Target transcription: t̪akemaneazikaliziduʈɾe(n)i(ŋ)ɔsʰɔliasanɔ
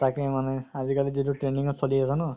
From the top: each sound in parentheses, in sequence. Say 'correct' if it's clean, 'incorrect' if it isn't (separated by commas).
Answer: correct, correct